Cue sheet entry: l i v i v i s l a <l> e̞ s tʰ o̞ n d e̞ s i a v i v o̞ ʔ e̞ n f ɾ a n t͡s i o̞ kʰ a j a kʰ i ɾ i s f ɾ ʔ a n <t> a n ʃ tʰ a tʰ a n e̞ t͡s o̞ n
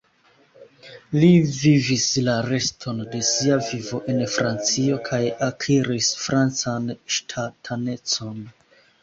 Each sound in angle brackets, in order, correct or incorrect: incorrect, incorrect

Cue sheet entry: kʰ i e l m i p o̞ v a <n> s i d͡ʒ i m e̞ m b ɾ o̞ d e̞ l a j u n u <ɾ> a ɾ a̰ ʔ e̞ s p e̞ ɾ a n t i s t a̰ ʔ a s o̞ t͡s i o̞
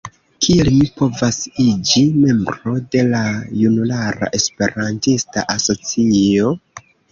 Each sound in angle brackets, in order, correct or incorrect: incorrect, incorrect

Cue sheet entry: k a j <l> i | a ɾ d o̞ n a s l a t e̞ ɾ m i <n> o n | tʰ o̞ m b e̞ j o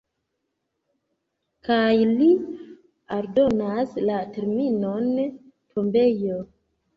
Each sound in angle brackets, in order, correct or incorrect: correct, correct

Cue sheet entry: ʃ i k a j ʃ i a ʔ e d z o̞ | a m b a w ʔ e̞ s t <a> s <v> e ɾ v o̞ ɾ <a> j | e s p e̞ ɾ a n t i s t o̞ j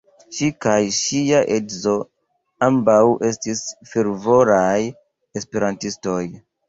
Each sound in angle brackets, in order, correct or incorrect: incorrect, incorrect, correct

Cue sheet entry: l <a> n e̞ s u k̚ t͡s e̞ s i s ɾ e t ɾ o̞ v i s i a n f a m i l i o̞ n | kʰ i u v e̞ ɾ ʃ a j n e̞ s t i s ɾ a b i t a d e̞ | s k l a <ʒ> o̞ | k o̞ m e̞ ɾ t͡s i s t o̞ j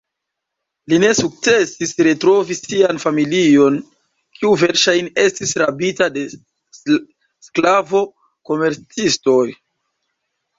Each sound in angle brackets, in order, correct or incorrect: incorrect, incorrect

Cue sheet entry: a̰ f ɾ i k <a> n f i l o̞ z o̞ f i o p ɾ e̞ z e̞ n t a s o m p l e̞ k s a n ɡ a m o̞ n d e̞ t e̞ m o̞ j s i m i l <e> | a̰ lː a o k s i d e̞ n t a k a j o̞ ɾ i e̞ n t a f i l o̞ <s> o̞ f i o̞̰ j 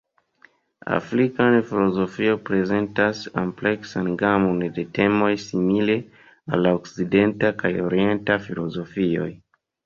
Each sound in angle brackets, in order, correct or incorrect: correct, correct, incorrect

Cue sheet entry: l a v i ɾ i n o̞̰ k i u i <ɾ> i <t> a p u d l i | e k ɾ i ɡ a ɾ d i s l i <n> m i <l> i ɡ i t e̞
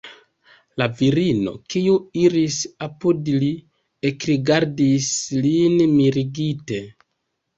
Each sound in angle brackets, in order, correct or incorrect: correct, incorrect, correct, incorrect

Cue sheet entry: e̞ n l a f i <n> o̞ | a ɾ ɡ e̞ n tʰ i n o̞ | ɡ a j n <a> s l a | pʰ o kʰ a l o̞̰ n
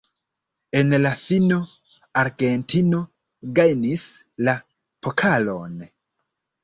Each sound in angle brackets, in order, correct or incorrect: correct, incorrect

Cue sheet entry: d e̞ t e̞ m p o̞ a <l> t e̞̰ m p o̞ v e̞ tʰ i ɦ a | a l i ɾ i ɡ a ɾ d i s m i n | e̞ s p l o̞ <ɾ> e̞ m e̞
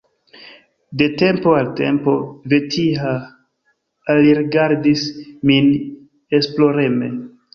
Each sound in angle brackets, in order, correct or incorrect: correct, correct

